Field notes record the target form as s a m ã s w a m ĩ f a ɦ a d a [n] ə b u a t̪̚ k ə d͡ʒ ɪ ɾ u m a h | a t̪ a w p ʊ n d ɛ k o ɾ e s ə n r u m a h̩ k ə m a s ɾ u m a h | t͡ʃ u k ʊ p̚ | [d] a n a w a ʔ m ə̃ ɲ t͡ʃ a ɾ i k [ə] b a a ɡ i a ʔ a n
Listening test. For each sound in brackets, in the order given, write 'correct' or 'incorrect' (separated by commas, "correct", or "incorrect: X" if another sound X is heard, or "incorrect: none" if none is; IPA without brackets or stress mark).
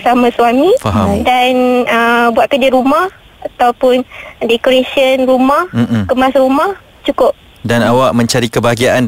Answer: correct, correct, correct